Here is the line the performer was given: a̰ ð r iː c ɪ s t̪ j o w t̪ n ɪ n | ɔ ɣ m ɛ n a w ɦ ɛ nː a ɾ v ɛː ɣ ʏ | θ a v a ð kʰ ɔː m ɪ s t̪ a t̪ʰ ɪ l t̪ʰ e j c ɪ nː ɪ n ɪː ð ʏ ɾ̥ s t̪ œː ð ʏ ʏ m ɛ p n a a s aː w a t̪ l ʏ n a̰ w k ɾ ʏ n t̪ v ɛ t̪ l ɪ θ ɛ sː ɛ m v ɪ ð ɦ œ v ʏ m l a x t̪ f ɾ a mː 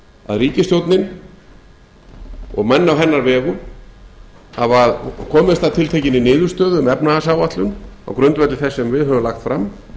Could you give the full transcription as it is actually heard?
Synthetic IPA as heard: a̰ ð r iː c ɪ s t̪ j o w t̪ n ɪ n | ɔ ɣ m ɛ nː a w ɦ ɛ nː a ɾ v ɛː ɣ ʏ | h a v a ð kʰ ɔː m ɪ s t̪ a t̪ʰ ɪ l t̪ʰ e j c ɪ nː ɪ n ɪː ð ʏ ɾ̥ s t̪ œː ð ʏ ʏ m ɛ p n a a s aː w a t̪ l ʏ n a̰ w k ɾ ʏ n t̪ v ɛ t̪ l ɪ θ ɛ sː ɛ m v ɪ ð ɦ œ v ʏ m l a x t̪ f ɾ a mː